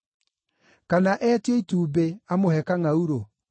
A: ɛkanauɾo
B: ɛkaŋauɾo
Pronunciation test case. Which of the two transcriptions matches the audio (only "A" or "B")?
B